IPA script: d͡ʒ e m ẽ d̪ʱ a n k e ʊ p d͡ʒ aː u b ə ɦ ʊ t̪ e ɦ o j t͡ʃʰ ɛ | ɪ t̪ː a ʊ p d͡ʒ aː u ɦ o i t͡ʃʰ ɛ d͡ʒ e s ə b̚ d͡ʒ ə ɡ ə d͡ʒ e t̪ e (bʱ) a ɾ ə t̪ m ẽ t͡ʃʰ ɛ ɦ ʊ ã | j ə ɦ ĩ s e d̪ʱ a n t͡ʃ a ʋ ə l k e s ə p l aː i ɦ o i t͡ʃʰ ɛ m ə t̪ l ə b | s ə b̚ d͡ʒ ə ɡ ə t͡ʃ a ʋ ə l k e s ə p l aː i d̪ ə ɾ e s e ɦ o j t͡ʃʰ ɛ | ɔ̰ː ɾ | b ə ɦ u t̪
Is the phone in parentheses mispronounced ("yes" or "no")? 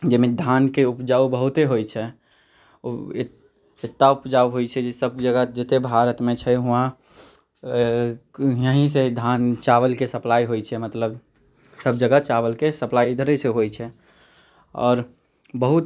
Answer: no